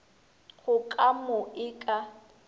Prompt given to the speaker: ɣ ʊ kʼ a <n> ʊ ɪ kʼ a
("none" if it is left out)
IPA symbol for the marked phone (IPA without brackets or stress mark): m